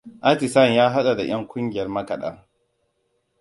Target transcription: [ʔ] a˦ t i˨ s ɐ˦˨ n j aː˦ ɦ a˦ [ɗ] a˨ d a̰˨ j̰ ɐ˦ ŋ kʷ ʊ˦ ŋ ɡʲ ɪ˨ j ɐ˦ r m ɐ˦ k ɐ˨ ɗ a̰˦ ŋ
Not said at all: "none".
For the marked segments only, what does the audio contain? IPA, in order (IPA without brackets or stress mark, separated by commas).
ʔ, ɗ